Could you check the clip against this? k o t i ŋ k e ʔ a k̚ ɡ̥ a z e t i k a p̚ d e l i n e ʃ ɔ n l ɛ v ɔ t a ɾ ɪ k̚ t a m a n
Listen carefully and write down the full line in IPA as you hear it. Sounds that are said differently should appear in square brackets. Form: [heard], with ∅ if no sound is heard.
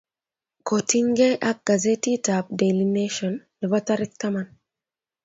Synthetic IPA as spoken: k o t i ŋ [ɡ] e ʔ a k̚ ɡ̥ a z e t i [t] a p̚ d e l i n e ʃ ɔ n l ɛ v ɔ t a ɾ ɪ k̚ t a m a n